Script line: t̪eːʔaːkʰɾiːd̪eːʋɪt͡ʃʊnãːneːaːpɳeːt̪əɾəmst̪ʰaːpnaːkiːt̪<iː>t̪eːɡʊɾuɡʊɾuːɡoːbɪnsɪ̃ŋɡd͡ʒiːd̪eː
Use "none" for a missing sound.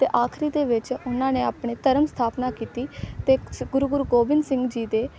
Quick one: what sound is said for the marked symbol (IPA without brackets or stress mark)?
iː